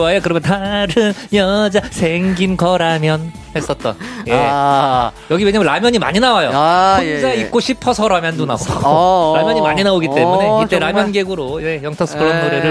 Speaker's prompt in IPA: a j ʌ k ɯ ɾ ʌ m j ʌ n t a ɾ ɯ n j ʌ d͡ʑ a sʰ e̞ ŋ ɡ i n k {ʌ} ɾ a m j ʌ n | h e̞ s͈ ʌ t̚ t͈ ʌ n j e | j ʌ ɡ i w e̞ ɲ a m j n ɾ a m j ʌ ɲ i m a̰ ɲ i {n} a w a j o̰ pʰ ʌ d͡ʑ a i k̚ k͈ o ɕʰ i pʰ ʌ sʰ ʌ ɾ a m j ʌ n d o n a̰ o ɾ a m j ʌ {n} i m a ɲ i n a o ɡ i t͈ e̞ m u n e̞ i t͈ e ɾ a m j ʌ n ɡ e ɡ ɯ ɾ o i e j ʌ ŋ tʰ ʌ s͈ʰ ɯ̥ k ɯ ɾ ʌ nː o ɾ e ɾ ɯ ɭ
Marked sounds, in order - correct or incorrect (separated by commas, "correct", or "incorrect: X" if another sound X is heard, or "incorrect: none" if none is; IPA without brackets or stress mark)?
correct, correct, incorrect: ɲ